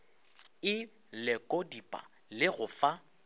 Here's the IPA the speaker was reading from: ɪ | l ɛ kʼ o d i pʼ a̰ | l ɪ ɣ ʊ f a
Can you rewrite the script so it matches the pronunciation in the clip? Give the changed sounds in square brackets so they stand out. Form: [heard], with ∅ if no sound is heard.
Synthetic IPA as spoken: ɪ | l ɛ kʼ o d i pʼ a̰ | l ɪ ɣ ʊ f a